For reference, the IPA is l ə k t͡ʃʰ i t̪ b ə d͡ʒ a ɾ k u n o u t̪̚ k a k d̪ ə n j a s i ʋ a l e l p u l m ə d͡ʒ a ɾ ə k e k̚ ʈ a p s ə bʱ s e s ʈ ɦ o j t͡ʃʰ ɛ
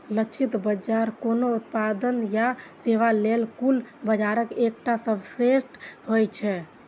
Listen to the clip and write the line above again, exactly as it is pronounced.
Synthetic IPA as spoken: l ə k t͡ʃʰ i t̪ b ə d͡ʒ a ɾ k o n o u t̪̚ p a d̪ ə n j a s e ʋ a l e l k u l b ə d͡ʒ a ɾ ə k e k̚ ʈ a s ə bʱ s e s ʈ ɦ o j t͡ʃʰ ɛ